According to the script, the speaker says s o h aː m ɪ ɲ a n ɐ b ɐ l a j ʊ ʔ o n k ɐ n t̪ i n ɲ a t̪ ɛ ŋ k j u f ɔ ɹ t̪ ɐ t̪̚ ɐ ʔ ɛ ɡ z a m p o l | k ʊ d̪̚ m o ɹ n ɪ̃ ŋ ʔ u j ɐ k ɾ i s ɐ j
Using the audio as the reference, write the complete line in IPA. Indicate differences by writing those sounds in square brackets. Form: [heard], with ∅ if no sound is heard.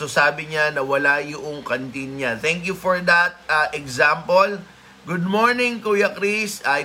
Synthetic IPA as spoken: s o [s] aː [b] ɪ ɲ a n ɐ [w] ɐ l a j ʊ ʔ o [ŋ] k ɐ n t̪ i n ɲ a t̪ ɛ ŋ k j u f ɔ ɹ [d̪] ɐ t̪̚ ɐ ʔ ɛ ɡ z a m p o l | [ɡ] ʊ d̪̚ m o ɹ n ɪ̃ ŋ [k] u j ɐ k ɾ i s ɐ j